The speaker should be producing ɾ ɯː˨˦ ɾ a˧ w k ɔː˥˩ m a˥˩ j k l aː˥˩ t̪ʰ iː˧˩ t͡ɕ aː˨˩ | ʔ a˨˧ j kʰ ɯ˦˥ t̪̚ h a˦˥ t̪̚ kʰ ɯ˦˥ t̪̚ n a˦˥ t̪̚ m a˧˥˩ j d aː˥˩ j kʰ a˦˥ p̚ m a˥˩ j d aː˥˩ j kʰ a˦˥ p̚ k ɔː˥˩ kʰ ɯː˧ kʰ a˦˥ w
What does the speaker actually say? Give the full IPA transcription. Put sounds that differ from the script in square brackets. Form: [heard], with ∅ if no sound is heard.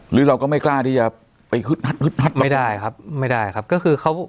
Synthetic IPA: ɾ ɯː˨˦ ɾ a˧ w k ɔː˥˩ m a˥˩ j k l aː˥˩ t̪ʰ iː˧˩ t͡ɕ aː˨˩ | [p] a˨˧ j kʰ ɯ˦˥ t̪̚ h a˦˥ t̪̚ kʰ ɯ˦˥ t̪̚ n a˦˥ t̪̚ m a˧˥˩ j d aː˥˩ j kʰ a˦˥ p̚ m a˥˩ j d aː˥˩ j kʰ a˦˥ p̚ k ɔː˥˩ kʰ ɯː˧ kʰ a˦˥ w

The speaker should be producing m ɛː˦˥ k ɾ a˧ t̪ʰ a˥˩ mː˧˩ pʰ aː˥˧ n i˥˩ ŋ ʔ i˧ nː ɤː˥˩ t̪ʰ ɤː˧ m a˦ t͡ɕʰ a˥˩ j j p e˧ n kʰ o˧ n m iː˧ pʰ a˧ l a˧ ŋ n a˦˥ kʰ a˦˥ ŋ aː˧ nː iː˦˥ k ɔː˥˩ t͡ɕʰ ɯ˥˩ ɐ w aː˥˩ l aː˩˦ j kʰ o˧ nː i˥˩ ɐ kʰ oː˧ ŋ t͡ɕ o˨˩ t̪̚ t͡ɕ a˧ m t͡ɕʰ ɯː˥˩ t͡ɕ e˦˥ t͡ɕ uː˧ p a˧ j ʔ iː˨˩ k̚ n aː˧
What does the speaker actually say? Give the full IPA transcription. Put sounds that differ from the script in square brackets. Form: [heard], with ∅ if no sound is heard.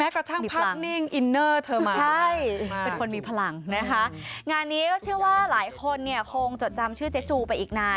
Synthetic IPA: m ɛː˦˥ k ɾ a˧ t̪ʰ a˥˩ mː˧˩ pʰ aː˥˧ n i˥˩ ŋ ʔ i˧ nː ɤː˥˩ t̪ʰ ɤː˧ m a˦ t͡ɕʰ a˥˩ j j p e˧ n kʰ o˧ n m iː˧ pʰ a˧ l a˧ ŋ n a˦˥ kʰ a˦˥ ŋ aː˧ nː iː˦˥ k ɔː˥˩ t͡ɕʰ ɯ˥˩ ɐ w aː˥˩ l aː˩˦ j kʰ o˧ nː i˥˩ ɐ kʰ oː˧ ŋ t͡ɕ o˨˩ t̪̚ t͡ɕ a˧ m t͡ɕʰ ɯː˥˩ t͡ɕ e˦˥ t͡ɕ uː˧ p a˧ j ʔ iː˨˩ k̚ n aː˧

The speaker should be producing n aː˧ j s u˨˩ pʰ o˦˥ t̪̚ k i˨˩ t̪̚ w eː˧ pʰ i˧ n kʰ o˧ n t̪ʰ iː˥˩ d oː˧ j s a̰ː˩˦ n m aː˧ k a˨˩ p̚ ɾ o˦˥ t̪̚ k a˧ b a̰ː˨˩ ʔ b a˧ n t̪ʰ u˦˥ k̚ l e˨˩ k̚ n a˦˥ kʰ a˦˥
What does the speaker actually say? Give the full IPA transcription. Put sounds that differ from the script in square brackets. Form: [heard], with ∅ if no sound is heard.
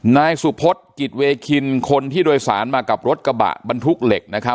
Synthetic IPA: n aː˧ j s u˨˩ pʰ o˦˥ t̪̚ k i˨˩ t̪̚ w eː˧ [kʰ] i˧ n kʰ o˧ n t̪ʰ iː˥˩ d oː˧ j s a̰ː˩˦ n m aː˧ k a˨˩ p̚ ɾ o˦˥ t̪̚ k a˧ b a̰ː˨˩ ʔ b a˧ n t̪ʰ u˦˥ k̚ l e˨˩ k̚ n a˦˥ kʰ a˦˥

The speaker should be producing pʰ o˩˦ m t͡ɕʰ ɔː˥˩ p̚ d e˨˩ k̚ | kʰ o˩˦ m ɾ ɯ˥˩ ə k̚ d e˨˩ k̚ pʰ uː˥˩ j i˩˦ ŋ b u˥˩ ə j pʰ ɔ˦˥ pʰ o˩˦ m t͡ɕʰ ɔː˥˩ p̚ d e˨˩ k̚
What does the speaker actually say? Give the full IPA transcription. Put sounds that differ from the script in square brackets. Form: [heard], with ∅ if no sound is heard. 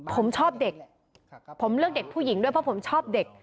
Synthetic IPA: pʰ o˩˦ m t͡ɕʰ ɔː˥˩ p̚ d e˨˩ k̚ | [pʰ] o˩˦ m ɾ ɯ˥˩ ə k̚ d e˨˩ k̚ pʰ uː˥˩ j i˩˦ ŋ [d] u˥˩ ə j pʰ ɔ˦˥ pʰ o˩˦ m t͡ɕʰ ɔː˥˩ p̚ d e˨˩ k̚

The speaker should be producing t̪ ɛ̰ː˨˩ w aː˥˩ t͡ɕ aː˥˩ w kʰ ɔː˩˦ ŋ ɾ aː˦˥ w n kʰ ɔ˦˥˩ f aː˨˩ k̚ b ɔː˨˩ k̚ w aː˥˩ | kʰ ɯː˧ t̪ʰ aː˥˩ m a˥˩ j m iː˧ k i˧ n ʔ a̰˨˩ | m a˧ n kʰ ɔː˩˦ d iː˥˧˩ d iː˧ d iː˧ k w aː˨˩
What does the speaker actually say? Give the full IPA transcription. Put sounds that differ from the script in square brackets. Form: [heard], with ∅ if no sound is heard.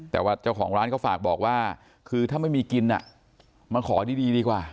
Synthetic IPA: t̪ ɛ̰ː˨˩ w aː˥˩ t͡ɕ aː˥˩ w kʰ ɔː˩˦ ŋ ɾ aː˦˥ [∅] n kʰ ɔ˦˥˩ f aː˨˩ k̚ b ɔː˨˩ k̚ w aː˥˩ | kʰ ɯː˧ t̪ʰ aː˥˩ m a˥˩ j m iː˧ k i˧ n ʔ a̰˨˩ | m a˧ n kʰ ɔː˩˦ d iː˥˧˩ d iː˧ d iː˧ k w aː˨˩

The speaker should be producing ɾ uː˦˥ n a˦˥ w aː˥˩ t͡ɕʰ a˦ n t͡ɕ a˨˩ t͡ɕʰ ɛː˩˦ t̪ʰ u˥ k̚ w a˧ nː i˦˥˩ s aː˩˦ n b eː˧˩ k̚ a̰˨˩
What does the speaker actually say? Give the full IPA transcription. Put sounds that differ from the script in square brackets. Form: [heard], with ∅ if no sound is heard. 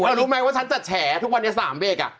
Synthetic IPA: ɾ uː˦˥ [m] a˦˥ w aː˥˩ t͡ɕʰ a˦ n t͡ɕ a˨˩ t͡ɕʰ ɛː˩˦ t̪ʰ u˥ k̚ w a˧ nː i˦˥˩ s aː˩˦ [m] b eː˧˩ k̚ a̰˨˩

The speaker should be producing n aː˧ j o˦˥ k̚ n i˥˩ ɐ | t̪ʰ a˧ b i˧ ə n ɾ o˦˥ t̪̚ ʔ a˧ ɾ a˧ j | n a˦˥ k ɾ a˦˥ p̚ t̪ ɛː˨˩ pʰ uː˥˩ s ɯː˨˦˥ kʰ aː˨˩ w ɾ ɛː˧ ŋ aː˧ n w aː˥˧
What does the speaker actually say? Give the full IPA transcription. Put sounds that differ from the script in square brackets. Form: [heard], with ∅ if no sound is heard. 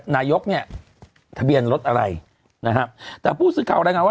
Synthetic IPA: n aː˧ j o˦˥ k̚ n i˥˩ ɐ | t̪ʰ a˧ b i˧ ə n ɾ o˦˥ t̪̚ ʔ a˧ ɾ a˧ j | n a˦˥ k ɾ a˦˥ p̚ t̪ ɛː˨˩ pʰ uː˥˩ s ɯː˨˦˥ kʰ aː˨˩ w ɾ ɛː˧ ŋ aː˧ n w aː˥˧

